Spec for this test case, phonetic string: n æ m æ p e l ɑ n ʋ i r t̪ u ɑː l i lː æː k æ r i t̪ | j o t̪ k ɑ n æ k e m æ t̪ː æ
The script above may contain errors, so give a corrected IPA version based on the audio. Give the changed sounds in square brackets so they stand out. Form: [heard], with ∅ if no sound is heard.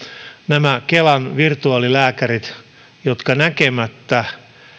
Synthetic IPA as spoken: n æ m æ [k] e l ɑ n ʋ i r t̪ u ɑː l i [l] æː k æ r i t̪ | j o t̪ k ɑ n æ k e m æ t̪ː æ